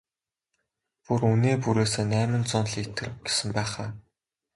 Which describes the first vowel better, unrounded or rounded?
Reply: rounded